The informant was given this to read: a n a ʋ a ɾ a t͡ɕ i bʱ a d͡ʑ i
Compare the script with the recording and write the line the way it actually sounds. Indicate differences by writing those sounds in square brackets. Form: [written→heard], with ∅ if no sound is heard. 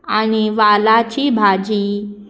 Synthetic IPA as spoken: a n [a→i] ʋ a [ɾ→l] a t͡ɕ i bʱ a d͡ʑ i